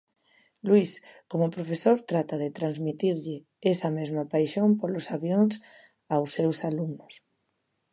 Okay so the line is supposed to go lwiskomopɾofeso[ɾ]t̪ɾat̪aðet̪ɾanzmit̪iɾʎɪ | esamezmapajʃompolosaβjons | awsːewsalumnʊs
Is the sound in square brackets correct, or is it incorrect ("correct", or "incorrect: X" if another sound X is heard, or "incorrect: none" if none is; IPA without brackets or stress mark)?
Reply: correct